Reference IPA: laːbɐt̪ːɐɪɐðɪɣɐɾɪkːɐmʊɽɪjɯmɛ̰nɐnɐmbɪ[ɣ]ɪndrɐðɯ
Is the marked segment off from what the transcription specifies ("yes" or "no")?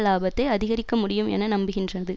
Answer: no